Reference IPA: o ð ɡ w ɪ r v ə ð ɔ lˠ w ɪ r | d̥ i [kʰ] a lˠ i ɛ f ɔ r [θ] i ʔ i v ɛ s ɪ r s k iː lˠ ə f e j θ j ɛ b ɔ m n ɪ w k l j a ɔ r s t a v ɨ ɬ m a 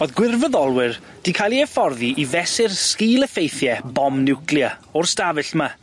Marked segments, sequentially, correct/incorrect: correct, incorrect: ð

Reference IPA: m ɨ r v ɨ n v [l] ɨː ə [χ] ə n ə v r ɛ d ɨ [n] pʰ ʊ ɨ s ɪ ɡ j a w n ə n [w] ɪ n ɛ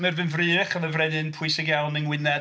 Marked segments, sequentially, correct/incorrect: incorrect: r, correct, correct, correct

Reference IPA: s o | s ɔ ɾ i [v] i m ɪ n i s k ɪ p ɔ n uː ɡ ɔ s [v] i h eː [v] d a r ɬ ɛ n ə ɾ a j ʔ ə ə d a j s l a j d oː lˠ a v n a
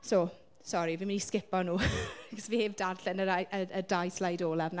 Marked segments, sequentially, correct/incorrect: correct, correct, correct

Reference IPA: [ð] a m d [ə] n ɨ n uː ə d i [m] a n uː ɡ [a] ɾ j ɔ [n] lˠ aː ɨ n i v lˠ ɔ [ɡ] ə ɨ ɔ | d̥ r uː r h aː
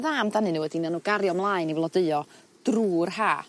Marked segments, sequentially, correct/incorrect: correct, incorrect: a, incorrect: n, correct, incorrect: m, incorrect: d

